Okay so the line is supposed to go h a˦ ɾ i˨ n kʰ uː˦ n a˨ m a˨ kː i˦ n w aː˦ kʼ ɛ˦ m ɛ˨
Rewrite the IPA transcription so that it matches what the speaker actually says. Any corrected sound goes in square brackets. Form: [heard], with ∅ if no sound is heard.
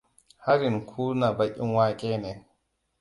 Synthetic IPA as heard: h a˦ ɾ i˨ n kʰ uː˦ n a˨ [b] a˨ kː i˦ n w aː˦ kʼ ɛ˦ [n] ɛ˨